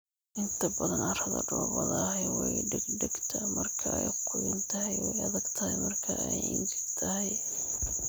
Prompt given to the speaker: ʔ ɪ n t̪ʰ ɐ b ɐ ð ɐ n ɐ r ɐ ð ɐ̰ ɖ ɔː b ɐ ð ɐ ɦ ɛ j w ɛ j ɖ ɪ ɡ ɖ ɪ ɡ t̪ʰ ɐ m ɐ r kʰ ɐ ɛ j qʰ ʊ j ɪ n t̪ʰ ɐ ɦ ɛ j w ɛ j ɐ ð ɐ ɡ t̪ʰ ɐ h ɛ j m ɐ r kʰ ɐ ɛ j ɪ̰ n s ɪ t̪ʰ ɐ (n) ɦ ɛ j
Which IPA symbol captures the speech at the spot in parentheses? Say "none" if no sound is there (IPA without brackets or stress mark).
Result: none